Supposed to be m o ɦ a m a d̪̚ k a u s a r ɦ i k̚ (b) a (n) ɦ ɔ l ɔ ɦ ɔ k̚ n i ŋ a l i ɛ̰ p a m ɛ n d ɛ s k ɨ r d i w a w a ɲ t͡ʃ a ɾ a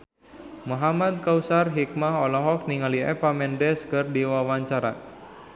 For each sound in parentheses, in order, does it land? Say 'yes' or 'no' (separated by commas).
no, no